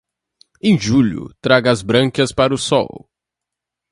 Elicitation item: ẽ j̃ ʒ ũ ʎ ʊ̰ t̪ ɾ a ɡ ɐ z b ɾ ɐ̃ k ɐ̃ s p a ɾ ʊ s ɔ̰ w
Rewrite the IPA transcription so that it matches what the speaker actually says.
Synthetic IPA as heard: ẽ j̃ ʒ u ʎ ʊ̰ t̪ ɾ a ɡ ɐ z b ɾ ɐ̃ k ɐ s p a ɾ ʊ s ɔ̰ w